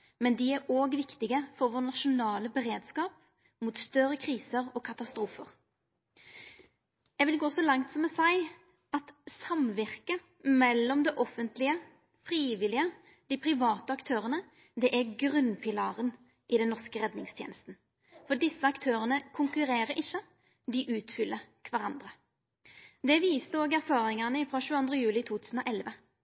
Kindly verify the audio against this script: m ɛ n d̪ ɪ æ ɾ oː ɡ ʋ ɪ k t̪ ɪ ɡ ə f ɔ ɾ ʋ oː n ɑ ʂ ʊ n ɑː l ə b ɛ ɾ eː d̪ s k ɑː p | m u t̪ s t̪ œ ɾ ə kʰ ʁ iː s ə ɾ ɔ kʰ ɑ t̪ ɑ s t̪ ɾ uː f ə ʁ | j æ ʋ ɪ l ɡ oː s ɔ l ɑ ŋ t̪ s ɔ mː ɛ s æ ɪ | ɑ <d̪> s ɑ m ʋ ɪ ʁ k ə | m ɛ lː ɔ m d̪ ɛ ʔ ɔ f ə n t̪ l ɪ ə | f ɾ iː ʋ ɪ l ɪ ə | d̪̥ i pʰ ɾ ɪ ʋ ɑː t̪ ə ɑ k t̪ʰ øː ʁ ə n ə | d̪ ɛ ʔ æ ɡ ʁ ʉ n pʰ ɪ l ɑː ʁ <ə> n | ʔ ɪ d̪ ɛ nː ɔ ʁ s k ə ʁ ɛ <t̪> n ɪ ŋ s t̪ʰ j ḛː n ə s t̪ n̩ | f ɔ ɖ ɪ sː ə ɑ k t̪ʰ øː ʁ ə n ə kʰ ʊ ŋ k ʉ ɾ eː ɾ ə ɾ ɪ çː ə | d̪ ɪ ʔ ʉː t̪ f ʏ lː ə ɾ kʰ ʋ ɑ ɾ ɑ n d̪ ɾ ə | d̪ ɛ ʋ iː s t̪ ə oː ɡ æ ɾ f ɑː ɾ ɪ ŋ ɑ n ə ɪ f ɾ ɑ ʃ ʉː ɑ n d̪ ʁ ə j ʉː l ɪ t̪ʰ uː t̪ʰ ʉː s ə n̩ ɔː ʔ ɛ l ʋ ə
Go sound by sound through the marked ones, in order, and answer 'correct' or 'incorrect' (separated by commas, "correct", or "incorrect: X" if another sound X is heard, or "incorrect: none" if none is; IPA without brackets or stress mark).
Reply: incorrect: t̪, correct, incorrect: d̪